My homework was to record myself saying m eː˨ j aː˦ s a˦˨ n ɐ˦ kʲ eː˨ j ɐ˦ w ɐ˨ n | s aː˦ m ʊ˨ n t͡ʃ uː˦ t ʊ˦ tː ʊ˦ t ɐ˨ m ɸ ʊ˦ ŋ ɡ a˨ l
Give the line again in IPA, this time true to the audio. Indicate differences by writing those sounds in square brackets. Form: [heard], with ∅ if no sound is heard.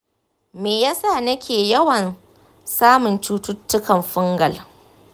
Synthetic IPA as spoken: m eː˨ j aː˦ s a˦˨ n ɐ˦ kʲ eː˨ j ɐ˦ w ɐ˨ n | s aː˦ m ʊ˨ n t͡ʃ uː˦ t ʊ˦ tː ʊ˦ [k] ɐ˨ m ɸ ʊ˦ ŋ ɡ [ɐ˨] l